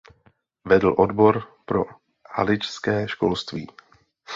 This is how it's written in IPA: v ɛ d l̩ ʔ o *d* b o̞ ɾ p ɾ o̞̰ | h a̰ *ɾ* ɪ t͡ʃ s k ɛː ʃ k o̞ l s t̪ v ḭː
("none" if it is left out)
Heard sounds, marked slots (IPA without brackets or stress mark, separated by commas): d, l